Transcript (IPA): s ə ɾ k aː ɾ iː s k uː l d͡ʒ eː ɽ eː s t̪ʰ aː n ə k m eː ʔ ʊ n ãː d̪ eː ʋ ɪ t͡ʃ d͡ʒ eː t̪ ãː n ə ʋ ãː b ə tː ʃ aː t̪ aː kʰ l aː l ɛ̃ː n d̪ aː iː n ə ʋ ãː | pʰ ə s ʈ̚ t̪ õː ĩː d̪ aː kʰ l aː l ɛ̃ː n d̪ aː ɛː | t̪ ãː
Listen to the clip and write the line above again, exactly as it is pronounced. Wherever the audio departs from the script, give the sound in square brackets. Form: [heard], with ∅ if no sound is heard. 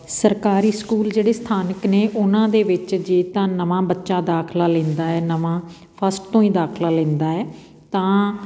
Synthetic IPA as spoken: s ə ɾ k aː ɾ iː s k uː l d͡ʒ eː ɽ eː s t̪ʰ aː n ə k [n] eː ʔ ʊ n ãː d̪ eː ʋ ɪ t͡ʃ d͡ʒ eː t̪ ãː n ə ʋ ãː b ə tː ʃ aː [d̪] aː kʰ l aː l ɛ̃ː n d̪ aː [ɛː] n ə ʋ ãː | pʰ ə s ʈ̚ t̪ õː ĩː d̪ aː kʰ l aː l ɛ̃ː n d̪ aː ɛː | t̪ ãː